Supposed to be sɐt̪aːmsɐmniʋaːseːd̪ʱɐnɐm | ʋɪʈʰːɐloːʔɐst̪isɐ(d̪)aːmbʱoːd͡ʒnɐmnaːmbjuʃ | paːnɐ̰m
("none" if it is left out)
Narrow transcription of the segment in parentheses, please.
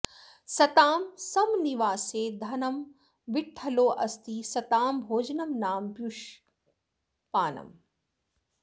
t̪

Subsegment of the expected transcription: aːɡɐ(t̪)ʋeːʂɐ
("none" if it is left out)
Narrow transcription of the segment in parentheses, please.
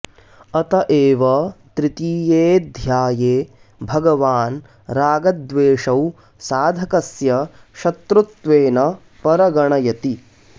d̪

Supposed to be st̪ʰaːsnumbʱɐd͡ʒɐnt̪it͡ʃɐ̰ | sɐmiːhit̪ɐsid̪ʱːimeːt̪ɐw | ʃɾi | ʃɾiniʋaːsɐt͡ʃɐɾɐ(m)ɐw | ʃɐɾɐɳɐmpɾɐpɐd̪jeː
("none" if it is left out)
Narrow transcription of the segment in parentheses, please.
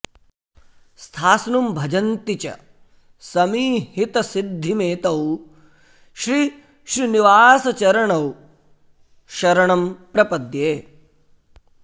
ɳ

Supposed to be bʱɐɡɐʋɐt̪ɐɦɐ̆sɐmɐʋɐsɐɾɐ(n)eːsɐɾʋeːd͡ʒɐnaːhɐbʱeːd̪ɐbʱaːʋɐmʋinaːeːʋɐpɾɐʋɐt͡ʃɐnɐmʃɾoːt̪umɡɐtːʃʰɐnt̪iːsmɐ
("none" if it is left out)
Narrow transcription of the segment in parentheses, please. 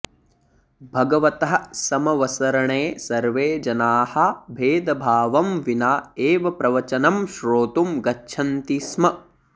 ɳ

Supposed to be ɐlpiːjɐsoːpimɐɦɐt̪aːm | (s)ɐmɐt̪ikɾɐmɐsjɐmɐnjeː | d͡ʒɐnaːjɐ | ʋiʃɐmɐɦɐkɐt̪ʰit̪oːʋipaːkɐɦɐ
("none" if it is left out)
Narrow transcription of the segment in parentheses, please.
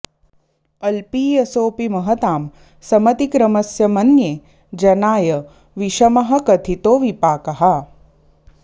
s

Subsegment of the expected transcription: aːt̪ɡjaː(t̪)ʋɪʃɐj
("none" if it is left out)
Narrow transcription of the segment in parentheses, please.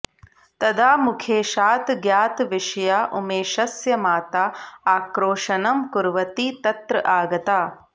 t̪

